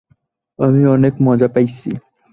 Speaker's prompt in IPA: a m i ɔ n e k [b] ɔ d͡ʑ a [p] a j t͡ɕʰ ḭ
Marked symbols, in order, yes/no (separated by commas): no, yes